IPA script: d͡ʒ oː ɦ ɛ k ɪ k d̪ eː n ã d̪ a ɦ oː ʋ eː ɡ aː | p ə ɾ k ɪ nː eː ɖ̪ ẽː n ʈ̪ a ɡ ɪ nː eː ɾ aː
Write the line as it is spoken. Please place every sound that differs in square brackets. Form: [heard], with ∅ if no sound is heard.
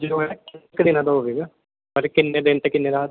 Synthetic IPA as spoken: d͡ʒ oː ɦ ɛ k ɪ k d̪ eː n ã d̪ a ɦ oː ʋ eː ɡ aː | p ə ɾ k ɪ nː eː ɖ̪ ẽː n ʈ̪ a [k] ɪ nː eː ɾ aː